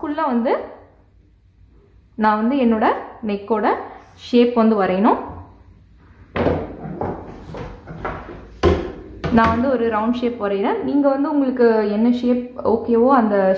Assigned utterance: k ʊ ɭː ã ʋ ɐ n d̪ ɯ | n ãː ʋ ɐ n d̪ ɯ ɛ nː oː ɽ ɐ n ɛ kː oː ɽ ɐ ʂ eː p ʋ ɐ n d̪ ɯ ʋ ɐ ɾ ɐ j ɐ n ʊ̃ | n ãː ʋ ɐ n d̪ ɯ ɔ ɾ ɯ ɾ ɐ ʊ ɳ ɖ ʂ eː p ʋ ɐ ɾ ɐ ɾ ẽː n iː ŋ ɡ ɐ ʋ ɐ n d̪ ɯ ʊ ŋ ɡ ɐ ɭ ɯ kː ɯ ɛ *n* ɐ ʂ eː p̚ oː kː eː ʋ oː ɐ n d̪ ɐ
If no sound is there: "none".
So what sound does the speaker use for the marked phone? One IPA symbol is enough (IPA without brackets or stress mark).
nː